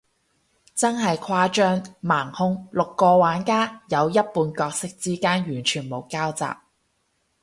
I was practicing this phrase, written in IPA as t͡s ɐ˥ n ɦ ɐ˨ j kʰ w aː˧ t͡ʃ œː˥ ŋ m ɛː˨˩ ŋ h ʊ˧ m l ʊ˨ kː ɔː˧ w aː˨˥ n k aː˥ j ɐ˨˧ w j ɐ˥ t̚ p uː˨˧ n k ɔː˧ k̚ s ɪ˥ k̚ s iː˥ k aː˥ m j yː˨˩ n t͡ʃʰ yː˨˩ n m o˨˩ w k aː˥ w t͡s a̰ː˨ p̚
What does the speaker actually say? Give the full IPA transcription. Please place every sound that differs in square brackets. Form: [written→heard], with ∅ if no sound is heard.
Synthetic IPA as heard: t͡s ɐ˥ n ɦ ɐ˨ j kʰ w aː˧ t͡ʃ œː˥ ŋ m [ɛː˨˩→aː˨˩] ŋ h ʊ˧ [m→ŋ] l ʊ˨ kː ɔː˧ w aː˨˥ n k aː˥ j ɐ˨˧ w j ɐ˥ t̚ p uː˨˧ n k ɔː˧ k̚ s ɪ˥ k̚ [s→t͡s] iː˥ k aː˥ [m→n] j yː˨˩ n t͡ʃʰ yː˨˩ n m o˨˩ w k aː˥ w t͡s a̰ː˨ p̚